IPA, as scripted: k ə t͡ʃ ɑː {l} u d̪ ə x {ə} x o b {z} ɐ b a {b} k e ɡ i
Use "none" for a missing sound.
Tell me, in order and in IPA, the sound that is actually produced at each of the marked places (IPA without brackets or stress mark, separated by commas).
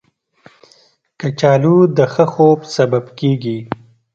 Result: l, ə, s, b